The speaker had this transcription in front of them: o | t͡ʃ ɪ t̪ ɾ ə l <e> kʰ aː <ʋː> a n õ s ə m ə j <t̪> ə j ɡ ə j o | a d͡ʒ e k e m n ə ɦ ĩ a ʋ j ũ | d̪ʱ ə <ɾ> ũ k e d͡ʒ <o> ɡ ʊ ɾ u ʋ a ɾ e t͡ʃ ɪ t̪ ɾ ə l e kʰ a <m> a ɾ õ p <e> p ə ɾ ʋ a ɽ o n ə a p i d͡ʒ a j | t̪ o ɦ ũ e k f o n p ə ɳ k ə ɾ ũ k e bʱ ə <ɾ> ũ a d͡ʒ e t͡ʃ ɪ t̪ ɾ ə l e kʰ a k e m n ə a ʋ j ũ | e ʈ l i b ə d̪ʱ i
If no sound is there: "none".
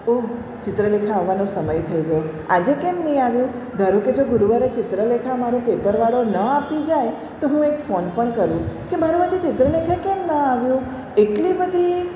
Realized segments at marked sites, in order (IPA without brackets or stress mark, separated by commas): e, ʋː, t̪ʰ, ɾ, o, m, e, ɾ